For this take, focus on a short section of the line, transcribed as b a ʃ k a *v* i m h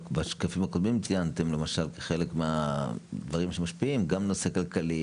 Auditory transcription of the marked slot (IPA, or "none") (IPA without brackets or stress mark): f